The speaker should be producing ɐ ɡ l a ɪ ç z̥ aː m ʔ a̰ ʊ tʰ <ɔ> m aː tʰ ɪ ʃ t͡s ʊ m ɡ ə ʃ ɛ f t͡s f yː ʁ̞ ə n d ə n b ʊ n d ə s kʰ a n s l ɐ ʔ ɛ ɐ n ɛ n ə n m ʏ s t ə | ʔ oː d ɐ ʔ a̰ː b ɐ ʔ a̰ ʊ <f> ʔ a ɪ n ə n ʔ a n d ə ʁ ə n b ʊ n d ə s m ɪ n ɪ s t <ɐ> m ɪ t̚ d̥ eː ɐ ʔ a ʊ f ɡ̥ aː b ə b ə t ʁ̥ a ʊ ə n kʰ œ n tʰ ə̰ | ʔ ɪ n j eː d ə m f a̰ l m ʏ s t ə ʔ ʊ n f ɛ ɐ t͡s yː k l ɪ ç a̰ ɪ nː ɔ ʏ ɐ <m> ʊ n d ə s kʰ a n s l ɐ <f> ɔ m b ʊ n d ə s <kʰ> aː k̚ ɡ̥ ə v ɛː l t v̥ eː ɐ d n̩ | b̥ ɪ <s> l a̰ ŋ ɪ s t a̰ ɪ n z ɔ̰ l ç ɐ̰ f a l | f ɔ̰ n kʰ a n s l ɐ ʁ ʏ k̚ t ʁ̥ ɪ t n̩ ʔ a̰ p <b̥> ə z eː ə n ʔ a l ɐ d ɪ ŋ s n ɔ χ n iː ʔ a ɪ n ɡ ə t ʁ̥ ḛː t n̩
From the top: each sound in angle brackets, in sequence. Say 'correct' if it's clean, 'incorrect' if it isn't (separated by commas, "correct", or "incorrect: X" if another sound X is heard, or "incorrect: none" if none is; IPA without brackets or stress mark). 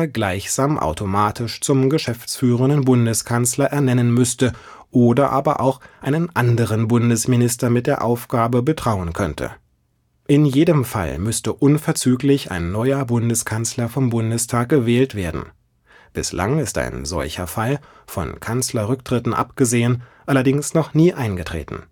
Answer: incorrect: o, incorrect: x, correct, incorrect: b, correct, incorrect: tʰ, correct, incorrect: ɡ̥